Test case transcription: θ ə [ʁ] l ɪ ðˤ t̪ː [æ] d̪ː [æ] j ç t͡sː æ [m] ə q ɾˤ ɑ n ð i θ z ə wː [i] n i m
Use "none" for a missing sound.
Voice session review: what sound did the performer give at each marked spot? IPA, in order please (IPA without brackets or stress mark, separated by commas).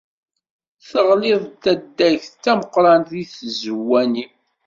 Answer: ʁ, æ, æ, m, æ